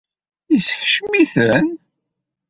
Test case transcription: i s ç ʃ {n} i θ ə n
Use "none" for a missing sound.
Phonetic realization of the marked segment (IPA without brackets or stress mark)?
m